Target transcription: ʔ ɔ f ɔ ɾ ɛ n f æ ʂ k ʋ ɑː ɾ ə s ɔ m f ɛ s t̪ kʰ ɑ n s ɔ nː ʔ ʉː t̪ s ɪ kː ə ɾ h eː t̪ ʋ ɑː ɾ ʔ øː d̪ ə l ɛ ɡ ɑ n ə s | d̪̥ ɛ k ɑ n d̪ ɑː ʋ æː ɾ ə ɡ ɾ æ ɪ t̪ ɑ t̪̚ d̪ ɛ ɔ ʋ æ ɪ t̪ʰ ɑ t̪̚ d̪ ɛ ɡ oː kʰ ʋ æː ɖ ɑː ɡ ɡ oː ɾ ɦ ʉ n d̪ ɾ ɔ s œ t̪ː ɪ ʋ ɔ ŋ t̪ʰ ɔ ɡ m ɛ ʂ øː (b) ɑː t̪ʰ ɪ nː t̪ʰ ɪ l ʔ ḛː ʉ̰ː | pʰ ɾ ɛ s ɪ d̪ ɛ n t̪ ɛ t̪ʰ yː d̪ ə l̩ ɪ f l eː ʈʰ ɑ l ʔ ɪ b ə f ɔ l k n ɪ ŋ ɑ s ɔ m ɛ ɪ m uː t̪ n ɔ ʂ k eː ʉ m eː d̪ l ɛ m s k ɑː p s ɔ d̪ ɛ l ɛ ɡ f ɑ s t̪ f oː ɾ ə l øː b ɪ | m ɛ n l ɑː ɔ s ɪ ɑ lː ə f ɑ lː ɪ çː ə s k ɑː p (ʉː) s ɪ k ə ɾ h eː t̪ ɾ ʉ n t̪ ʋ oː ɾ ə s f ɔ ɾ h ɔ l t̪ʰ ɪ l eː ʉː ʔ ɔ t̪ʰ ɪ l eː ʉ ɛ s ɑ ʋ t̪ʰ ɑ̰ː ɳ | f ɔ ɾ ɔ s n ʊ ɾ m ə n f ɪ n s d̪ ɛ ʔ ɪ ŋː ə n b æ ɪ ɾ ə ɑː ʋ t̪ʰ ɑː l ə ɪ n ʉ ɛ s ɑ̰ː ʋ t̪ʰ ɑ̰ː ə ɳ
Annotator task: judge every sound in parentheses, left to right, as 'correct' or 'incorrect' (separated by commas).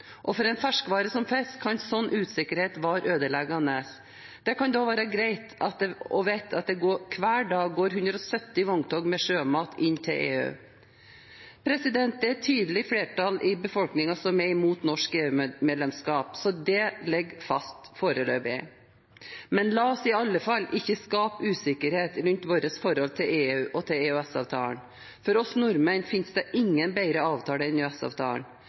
incorrect, correct